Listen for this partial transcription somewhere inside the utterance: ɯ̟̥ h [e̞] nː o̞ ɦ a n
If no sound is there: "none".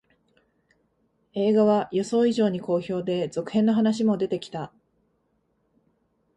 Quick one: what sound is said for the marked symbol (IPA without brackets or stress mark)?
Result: ẽ̞